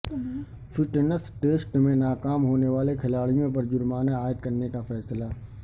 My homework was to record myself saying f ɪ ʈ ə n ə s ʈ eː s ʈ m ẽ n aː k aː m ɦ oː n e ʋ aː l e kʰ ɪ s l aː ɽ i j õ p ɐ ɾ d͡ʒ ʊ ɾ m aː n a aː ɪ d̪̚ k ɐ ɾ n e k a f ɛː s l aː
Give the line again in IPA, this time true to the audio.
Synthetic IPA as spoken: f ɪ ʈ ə n ə s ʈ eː s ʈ m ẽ n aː k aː m ɦ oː n e ʋ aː l e kʰ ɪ l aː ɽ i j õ p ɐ ɾ d͡ʒ ʊ ɾ m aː n a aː ɪ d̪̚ k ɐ ɾ n e k a f ɛː s l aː